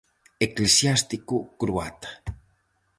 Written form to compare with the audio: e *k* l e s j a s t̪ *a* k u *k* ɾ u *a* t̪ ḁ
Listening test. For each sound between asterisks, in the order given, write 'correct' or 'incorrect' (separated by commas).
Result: correct, incorrect, correct, correct